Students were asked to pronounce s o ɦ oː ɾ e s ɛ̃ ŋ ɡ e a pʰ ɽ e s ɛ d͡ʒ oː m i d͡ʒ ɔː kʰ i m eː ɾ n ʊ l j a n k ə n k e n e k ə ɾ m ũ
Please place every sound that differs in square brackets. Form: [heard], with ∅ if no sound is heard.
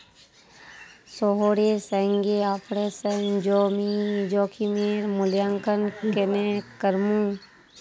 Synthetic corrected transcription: s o ɦ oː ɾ e s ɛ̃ ŋ ɡ e a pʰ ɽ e s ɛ d͡ʒ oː m i d͡ʒ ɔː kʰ i m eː ɾ [m] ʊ l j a [ŋ] k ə n k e n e k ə ɾ m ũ